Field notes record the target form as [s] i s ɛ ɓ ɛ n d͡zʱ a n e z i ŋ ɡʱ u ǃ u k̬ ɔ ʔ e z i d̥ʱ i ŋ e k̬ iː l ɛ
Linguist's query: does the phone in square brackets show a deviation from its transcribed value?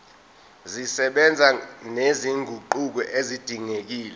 yes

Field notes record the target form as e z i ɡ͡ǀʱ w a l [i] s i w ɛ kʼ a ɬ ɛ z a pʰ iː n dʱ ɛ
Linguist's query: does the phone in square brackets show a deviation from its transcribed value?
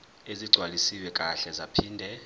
no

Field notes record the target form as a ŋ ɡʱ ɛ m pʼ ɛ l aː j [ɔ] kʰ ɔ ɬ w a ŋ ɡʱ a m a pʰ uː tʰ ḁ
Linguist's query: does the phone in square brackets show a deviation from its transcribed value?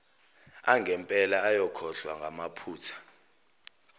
no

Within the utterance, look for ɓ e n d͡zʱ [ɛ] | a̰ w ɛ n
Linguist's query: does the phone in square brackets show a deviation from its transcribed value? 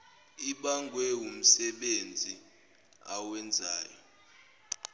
yes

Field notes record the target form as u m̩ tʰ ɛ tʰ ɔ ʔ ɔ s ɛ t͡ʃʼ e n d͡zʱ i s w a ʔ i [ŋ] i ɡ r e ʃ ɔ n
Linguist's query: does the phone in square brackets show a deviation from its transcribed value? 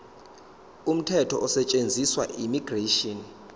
yes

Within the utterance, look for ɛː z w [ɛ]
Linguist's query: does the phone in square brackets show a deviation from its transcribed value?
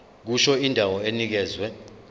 no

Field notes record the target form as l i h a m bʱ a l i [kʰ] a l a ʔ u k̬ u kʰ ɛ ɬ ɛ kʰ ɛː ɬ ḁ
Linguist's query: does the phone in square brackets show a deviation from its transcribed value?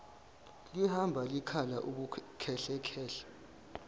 no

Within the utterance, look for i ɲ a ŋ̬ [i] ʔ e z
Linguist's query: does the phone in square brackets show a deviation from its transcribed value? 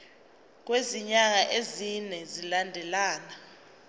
yes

